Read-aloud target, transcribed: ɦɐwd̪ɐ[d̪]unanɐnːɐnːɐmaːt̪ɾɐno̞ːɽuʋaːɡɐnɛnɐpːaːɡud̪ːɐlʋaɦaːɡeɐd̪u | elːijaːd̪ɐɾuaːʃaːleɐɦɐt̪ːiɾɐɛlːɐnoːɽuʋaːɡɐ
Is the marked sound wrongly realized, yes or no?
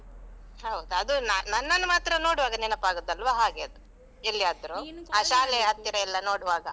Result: no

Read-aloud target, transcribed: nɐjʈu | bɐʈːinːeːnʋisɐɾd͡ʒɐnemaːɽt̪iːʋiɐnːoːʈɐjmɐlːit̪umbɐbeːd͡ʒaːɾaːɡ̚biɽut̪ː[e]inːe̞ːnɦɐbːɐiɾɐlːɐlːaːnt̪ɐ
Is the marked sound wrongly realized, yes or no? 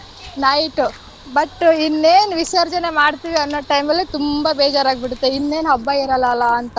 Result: no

